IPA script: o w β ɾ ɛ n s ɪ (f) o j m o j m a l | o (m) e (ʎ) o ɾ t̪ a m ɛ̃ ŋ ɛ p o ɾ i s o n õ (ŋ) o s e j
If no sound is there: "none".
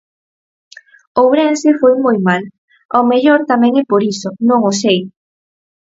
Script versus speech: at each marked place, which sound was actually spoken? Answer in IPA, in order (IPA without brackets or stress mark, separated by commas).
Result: f, m, ʎ, ŋ